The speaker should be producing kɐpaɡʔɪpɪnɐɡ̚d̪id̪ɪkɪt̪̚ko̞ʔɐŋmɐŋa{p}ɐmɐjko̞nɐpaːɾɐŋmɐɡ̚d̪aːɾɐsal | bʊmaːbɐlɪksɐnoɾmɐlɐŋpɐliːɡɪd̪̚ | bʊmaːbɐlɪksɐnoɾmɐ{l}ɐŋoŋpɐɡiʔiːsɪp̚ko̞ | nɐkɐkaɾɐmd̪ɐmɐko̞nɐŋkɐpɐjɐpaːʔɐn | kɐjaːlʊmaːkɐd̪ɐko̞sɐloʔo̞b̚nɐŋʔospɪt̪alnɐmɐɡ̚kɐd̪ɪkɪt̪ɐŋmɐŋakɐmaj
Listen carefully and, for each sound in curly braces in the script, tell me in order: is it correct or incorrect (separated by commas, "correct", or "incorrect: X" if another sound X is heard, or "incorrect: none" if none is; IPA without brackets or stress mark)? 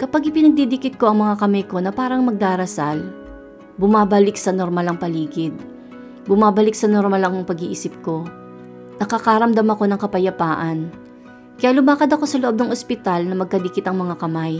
incorrect: k, correct